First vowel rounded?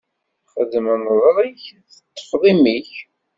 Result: no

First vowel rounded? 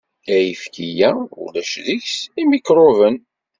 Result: no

